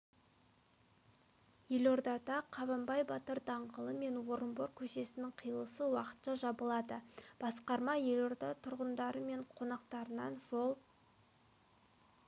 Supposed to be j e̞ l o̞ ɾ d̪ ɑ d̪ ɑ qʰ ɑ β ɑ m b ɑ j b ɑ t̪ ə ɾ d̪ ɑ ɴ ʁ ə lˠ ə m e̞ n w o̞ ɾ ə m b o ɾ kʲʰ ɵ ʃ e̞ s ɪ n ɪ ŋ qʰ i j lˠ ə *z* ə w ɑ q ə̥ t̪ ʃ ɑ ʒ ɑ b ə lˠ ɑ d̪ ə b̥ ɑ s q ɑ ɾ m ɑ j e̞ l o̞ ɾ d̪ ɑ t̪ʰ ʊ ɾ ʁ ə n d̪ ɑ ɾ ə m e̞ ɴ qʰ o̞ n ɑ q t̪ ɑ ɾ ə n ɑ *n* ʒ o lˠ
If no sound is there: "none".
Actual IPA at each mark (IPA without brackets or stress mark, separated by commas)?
s, n